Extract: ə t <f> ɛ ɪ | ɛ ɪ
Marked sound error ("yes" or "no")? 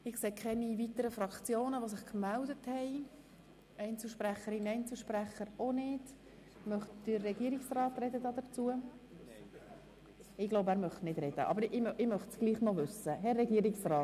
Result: yes